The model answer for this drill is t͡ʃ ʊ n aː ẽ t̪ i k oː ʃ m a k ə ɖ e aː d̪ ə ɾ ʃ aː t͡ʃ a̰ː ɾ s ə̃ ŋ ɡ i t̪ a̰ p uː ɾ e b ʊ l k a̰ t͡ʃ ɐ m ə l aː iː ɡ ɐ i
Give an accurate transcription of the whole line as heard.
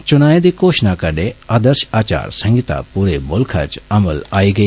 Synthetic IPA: t͡ʃ ʊ n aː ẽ d̪ i k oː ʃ n a k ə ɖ e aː d̪ ə ɾ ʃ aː t͡ʃ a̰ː ɾ s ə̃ ŋ ɡ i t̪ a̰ p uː ɾ e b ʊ l kʰ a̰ t͡ʃ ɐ m ə l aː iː ɡ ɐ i